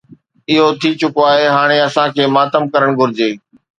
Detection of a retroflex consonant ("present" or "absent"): present